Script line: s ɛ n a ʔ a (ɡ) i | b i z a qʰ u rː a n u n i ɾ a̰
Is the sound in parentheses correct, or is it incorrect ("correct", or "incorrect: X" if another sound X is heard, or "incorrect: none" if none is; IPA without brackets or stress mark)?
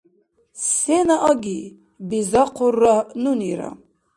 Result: correct